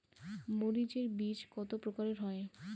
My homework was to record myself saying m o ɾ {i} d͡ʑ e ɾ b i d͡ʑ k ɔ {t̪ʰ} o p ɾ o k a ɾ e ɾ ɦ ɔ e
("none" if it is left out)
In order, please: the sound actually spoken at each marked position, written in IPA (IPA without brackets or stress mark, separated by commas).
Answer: i, t̪